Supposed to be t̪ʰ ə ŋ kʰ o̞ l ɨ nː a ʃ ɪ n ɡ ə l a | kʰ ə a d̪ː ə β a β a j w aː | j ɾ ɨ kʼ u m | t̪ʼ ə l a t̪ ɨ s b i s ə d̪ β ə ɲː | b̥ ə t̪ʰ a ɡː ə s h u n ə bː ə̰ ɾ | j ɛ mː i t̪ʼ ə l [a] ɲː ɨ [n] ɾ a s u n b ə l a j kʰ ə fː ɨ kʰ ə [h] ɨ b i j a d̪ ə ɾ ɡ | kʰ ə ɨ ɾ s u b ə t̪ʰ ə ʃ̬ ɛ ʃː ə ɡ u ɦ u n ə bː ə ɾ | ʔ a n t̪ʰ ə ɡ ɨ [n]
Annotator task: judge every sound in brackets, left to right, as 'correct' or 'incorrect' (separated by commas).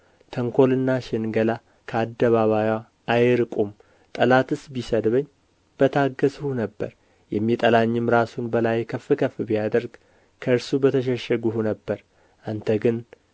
correct, incorrect, incorrect, correct